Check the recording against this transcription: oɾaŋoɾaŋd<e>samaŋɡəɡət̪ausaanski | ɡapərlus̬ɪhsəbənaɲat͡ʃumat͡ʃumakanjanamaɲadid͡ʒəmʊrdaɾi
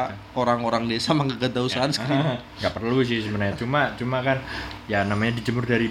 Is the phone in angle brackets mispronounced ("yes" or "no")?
no